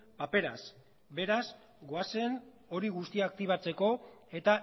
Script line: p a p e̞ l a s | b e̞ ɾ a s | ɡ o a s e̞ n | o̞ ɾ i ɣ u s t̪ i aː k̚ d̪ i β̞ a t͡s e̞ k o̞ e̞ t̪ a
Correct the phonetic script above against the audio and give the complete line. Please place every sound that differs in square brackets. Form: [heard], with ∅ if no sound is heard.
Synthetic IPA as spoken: p a p e̞ [ɾ] a s | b e̞ ɾ a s | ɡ o a s e̞ n | o̞ ɾ i ɣ u s t̪ i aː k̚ [t̪] i β̞ a t͡s e̞ k o̞ e̞ t̪ a

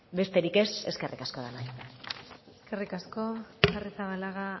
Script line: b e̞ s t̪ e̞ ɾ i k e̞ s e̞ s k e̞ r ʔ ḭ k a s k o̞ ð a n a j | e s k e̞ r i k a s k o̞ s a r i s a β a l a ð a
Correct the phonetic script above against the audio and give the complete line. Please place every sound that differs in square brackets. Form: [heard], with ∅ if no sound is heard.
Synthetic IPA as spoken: b e̞ s t̪ e̞ ɾ i k e̞ s e̞ s k e̞ r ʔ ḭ k a s k o̞ ð a n a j | e s k e̞ r i k a s k o̞ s a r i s a β a l a [ɣ] a

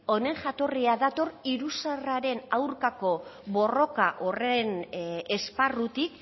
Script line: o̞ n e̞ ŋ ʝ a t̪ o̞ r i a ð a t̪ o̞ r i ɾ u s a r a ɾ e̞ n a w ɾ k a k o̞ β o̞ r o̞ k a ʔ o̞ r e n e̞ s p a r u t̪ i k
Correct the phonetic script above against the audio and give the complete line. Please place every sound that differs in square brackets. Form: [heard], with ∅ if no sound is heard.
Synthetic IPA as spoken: o̞ n e̞ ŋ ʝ a t̪ o̞ r i a ð a t̪ o̞ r i ɾ u s a r a ɾ e̞ n a w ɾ k a k o̞ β o̞ r o̞ k a ʔ o̞ r e n e̞ s p a r u t̪ i k

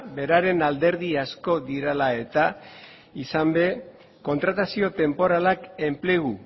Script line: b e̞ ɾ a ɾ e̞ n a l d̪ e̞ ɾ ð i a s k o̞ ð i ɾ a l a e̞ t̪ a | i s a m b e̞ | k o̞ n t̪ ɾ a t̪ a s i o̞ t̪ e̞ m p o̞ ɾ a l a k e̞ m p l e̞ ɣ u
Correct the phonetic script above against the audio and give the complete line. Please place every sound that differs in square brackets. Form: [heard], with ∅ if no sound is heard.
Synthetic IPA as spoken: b e̞ ɾ a ɾ e̞ n a l d̪ e̞ ɾ ð i a s k o̞ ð i ɾ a l a e̞ t̪ a | i s a m b e̞ | k o̞ n t̪ ɾ a t̪ a s i o̞ t̪ e̞ m p o̞ ɾ a l a k e̞ m p l e̞ ɣ u

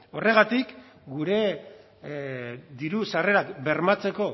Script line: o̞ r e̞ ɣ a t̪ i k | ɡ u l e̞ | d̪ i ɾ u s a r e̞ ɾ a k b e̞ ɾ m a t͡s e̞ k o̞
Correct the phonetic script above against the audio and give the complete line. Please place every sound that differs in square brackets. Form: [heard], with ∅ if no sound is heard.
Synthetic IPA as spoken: o̞ r e̞ ɣ a t̪ i k | ɡ u [ɾ] e̞ | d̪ i ɾ u s a r e̞ ɾ a k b e̞ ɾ m a t͡s e̞ k o̞

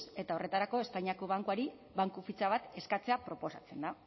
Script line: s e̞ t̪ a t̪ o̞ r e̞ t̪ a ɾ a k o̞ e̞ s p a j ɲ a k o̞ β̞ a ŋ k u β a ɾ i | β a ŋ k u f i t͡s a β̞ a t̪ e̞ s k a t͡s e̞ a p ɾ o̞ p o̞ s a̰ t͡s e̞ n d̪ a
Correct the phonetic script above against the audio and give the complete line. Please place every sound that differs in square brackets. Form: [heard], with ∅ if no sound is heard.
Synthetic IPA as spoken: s e̞ t̪ a [∅] o̞ r e̞ t̪ a ɾ a k o̞ e̞ s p a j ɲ a k o̞ β̞ a ŋ k u [∅] a ɾ i | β a ŋ k u f i t͡s a β̞ a t̪ e̞ s k a t͡s e̞ a p ɾ o̞ p o̞ s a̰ t͡s e̞ n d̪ a

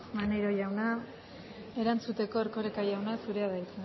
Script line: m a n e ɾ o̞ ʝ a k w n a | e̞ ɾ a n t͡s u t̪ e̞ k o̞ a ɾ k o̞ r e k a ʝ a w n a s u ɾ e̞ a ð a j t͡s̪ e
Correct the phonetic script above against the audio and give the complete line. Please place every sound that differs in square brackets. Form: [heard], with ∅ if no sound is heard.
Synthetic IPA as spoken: m a n e ɾ o̞ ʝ a [∅] w n a | e̞ ɾ a n t͡s u t̪ e̞ k o̞ [e] ɾ k o̞ [ɾ] e k a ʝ a w n a s u ɾ e̞ a ð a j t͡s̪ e

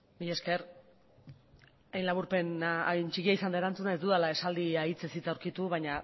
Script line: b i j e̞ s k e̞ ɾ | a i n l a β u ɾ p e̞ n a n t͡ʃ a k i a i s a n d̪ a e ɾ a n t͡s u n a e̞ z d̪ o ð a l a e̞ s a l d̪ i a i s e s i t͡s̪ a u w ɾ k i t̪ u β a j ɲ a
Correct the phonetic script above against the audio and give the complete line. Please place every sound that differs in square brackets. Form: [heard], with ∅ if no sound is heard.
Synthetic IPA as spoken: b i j e̞ s k e̞ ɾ | a [j] n l a β u ɾ p e̞ n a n t͡ʃ [i] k i a i s a n d̪ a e ɾ a n t͡s u n a e̞ z d̪ [u] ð a l a e̞ s a l d̪ i a i [t͡s] e s i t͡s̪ a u w ɾ k i t̪ u β a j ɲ a

